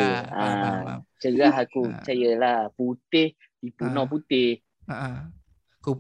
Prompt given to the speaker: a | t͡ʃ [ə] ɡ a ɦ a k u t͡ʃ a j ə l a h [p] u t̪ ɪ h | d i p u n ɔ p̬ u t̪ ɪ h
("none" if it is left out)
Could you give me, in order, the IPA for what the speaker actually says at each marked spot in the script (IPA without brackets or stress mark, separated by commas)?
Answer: ə, p